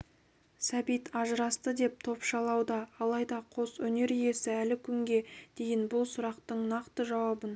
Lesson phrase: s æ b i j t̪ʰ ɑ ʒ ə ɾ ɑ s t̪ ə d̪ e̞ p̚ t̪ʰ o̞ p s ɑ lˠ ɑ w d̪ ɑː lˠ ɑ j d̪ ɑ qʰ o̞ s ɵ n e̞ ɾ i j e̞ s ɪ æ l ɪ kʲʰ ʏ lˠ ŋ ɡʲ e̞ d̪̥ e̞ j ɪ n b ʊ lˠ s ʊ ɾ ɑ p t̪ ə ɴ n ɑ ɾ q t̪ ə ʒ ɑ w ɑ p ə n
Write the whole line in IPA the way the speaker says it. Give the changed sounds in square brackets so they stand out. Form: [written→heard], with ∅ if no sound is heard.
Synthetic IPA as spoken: s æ b i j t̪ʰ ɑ ʒ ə ɾ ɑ s t̪ ə d̪ e̞ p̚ t̪ʰ o̞ p [s→ʃ] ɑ lˠ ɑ w d̪ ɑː lˠ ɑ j d̪ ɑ qʰ o̞ s ɵ n e̞ ɾ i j e̞ s ɪ æ l ɪ kʲʰ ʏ [lˠ→∅] ŋ ɡʲ e̞ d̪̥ e̞ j ɪ n b ʊ lˠ s ʊ ɾ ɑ [p→q] t̪ ə ɴ n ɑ [ɾ→∅] q t̪ ə ʒ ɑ w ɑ [p→b] ə n